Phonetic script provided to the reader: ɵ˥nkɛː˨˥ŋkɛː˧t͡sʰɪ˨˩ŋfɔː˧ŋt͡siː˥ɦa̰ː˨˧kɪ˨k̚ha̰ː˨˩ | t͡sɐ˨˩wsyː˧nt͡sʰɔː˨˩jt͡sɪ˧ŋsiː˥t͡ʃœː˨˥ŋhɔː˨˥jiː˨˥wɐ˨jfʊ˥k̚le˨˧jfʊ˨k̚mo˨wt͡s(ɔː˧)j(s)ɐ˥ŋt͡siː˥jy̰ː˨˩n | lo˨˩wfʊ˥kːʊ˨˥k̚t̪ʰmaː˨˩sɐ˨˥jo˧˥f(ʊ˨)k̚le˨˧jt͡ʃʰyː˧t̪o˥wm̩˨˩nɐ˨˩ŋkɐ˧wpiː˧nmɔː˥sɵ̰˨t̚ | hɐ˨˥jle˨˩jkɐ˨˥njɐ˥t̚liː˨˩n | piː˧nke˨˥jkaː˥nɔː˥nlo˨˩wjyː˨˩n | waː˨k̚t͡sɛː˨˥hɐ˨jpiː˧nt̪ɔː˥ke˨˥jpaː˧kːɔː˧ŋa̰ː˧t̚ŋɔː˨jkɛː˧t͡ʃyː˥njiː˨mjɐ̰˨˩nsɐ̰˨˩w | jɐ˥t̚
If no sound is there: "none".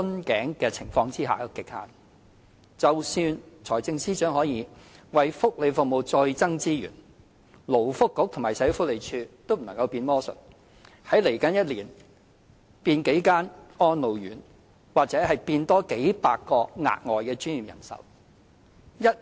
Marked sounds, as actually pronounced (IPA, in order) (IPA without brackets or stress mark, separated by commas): ɔː˧, t͡s, ʊ˥